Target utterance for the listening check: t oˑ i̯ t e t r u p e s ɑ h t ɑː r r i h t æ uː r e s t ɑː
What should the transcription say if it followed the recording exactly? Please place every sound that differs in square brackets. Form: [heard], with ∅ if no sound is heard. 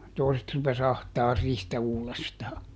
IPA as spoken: t oˑ i̯ [s] e t r u p e s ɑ h t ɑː r r i h t æ uː [l] e s t ɑː